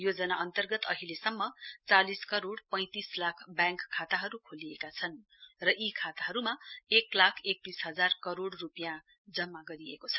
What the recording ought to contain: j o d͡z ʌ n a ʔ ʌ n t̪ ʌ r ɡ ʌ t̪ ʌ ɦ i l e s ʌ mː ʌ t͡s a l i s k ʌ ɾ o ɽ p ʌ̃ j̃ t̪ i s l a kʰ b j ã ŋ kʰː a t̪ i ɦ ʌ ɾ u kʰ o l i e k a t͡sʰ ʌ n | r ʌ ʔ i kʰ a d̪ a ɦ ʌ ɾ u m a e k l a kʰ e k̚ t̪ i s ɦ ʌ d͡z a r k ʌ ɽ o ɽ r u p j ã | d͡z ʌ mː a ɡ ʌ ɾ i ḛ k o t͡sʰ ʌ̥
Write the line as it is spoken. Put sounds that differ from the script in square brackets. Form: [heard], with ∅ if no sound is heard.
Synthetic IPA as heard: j o d͡z ʌ n a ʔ ʌ n t̪ ʌ r ɡ ʌ t̪ ʌ ɦ i l e s ʌ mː ʌ t͡s a l i s k ʌ ɾ o ɽ p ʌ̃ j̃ t̪ i s l a kʰ b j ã ŋ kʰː a t̪ [a] ɦ ʌ ɾ u kʰ o l i e k a t͡sʰ ʌ n | r ʌ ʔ i kʰ a [t̪] a ɦ ʌ ɾ u m a e k l a kʰ e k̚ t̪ i s ɦ ʌ d͡z a r k ʌ [ɾ] o ɽ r u p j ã | d͡z ʌ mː a ɡ ʌ ɾ i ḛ k o t͡sʰ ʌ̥

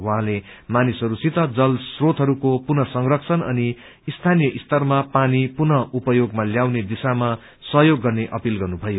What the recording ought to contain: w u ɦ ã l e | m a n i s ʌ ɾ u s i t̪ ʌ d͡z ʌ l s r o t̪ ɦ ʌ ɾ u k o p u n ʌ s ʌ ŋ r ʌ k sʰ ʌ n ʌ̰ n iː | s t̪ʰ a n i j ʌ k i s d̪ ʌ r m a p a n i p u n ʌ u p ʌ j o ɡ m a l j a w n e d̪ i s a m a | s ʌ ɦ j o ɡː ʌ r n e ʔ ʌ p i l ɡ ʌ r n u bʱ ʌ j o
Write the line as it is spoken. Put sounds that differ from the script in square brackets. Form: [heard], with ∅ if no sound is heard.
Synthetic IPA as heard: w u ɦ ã l e | m a n i s ʌ ɾ u s i t̪ ʌ d͡z ʌ l s r o t̪ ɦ ʌ ɾ u k o p u n ʌ s ʌ ŋ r ʌ k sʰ ʌ n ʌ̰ n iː | s t̪ʰ a n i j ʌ [ʔ] i s [t̪] ʌ r m a p a n i p u n ʌ u p ʌ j o ɡ m a l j a w n e d̪ i s a m a | s ʌ ɦ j o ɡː ʌ r n e ʔ ʌ p i l ɡ ʌ r n u bʱ ʌ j o

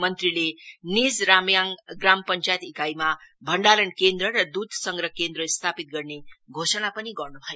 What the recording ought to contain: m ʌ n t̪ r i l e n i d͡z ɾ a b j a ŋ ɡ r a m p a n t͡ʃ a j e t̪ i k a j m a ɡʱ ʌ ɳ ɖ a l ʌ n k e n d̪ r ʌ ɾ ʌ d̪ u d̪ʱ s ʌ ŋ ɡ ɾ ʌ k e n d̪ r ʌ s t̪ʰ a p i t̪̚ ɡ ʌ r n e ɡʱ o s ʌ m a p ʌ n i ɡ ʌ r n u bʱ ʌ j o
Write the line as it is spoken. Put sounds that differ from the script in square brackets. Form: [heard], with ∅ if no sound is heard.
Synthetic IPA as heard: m ʌ n t̪ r i l e n i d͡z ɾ a [m] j a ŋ ɡ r a m p [ʌ] n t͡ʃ a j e t̪ i k a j m a [bʱ] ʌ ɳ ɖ a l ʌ n k e n d̪ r ʌ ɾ ʌ d̪ u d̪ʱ s ʌ ŋ ɡ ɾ ʌ k e n d̪ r ʌ s t̪ʰ a p i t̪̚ ɡ ʌ r n e ɡʱ o s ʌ [n] a p ʌ n i ɡ ʌ r n u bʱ ʌ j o

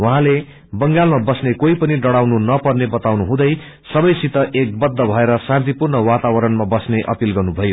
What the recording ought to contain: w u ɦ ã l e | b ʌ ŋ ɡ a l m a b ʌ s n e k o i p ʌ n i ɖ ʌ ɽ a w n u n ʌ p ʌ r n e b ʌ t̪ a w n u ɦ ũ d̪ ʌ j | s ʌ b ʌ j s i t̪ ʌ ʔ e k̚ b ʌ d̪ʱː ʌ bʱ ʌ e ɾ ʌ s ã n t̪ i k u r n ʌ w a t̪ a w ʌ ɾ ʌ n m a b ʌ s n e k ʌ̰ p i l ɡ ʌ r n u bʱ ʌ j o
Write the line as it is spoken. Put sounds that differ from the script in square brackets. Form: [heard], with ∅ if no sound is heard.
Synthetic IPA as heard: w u ɦ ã l e | b ʌ ŋ ɡ a l m a b ʌ s n e k o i p ʌ n i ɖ ʌ ɽ a w n u n ʌ p ʌ r n e b ʌ t̪ a w n u ɦ ũ d̪ ʌ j | s ʌ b ʌ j s i t̪ ʌ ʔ e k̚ b ʌ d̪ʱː ʌ bʱ ʌ e ɾ ʌ s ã n t̪ i [p] u r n ʌ w a t̪ a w ʌ ɾ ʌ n m a b ʌ s n e [ʔ] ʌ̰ p i l ɡ ʌ r n u bʱ ʌ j o

